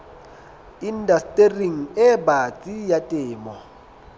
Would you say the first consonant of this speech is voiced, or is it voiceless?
voiced